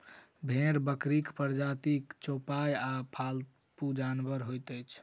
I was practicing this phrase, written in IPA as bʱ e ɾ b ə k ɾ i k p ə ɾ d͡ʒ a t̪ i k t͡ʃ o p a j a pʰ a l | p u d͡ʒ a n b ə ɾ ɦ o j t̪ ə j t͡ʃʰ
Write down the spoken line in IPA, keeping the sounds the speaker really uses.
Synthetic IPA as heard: bʱ e ɾ b ə k ɾ i k p ə ɾ d͡ʒ a t̪ i k t͡ʃ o p a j a pʰ a l | p u d͡ʒ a n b ə ɾ ɦ o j t̪ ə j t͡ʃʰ